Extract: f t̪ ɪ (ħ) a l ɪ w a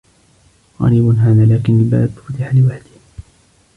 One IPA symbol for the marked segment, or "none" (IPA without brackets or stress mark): ħ